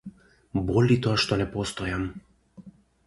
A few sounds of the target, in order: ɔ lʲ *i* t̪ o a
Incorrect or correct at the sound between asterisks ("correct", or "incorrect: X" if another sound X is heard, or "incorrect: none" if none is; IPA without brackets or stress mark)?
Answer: correct